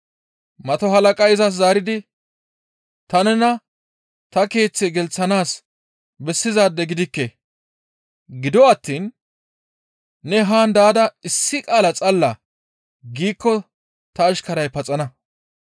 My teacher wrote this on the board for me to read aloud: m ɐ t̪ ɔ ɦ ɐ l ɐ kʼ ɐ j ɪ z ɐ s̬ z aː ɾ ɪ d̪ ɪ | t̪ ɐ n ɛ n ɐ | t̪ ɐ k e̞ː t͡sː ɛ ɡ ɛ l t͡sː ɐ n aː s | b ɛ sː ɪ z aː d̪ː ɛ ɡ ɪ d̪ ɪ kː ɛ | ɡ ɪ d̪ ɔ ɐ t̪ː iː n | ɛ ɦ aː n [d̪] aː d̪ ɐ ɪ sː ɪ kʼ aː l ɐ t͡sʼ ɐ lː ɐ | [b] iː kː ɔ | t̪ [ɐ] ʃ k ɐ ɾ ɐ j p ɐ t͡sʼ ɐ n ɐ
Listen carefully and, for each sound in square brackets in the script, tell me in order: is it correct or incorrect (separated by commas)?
correct, incorrect, incorrect